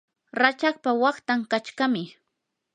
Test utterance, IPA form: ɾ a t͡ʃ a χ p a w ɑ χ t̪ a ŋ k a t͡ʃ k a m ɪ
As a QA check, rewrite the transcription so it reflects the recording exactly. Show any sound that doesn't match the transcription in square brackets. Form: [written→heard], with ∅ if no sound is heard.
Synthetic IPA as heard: ɾ a t͡ʃ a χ p a w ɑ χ t̪ a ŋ k a t͡ʃ k a m ɪ